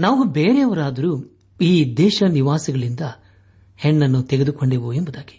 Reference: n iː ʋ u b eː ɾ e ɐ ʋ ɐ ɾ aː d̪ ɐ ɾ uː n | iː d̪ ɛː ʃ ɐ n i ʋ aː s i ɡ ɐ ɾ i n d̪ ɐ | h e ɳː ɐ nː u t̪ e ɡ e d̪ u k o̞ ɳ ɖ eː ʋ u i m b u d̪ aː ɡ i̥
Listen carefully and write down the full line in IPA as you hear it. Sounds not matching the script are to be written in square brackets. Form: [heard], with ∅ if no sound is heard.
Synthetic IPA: n [aː] ʋ u b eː ɾ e ɐ ʋ ɐ ɾ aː d̪ ɐ ɾ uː [∅] | iː d̪ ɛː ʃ ɐ n i ʋ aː s i ɡ ɐ [ɭ] i n d̪ ɐ | h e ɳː ɐ nː u t̪ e ɡ e d̪ u k o̞ ɳ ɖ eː ʋ u [e] m b u d̪ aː ɡ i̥